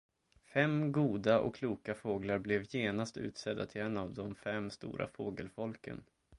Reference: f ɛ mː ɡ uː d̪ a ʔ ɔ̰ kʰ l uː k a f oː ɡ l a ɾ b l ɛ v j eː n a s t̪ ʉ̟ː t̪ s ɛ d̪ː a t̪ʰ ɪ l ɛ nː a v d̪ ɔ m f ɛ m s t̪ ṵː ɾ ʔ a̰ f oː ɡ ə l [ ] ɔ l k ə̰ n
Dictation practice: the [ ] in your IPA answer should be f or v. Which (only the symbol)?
f